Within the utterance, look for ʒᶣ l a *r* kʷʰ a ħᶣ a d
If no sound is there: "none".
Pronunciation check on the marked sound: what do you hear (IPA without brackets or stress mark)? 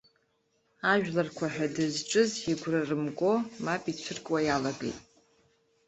r